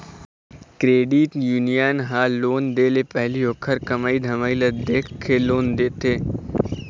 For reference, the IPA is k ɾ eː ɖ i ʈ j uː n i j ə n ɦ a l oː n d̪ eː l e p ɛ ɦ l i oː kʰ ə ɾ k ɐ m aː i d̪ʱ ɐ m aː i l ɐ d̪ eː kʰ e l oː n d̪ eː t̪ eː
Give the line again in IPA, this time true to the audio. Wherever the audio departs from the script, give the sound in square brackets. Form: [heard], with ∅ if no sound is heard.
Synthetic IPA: k ɾ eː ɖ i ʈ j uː n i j ə n ɦ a l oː n d̪ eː l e p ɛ ɦ l i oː kʰ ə ɾ k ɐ m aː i d̪ʱ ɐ m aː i l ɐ d̪ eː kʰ e l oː n d̪ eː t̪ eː